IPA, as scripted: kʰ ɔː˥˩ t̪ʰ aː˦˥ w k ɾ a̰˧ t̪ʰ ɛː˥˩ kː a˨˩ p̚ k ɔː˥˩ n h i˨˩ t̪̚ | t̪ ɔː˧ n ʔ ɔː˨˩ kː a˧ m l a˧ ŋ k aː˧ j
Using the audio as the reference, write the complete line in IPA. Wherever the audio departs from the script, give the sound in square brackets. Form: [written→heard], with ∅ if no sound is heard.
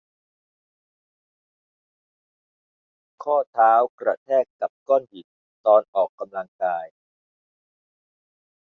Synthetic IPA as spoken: kʰ ɔː˥˩ t̪ʰ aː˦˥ w k ɾ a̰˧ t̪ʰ ɛː˥˩ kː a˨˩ p̚ k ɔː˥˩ n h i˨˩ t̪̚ | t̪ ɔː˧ n ʔ ɔː˨˩ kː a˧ m l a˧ ŋ k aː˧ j